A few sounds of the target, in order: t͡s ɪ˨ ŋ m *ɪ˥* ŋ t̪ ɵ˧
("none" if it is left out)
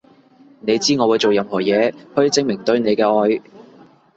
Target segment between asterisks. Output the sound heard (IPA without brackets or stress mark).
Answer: ɪ˨˩